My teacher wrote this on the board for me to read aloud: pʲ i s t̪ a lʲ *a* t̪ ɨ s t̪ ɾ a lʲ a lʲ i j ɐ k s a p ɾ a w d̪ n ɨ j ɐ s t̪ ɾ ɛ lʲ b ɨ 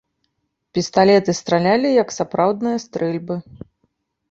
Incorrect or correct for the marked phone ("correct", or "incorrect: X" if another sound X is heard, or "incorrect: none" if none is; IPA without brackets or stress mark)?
incorrect: ɛ